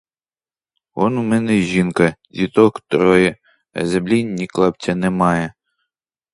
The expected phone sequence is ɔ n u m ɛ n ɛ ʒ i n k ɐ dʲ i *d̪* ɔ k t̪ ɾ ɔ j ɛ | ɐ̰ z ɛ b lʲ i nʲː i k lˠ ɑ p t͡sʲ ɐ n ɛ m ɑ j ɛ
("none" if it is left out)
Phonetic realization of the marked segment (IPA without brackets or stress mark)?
t̪